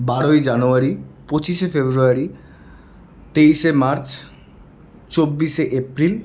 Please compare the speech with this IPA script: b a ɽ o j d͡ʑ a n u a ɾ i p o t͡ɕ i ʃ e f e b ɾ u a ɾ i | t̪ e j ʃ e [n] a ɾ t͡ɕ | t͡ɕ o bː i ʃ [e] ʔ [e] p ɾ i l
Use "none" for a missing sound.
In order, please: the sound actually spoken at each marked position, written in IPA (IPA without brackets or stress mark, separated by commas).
m, e, e